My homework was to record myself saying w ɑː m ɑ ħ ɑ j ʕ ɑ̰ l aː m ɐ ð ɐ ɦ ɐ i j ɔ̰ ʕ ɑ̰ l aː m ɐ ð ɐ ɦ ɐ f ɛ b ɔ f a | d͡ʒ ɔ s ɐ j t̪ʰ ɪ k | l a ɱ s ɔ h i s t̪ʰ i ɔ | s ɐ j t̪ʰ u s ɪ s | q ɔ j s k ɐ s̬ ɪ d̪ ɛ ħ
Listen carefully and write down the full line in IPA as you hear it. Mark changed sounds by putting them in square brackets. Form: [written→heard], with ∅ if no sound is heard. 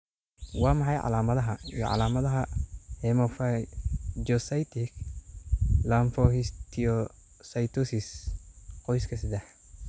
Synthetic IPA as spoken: w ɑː m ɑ ħ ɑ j ʕ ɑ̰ l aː m ɐ ð ɐ ɦ ɐ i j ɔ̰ ʕ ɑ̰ l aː m ɐ ð ɐ ɦ ɐ [f→h] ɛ [b→m] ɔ f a | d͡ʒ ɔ s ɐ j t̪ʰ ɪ k | l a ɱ [s→f] ɔ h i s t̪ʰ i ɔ | s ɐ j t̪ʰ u s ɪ s | q ɔ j s [k→kʰ] ɐ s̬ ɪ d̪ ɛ ħ